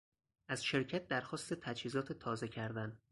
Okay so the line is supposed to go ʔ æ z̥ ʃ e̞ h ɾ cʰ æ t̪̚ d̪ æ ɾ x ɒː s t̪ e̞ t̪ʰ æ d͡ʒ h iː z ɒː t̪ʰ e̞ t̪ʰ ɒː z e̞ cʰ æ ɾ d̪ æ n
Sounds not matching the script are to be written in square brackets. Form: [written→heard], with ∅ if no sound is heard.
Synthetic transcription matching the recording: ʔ æ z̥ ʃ e̞ [h→∅] ɾ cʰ æ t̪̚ d̪ æ ɾ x ɒː s t̪ e̞ t̪ʰ æ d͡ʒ h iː z ɒː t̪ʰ e̞ t̪ʰ ɒː z e̞ cʰ æ ɾ d̪ æ n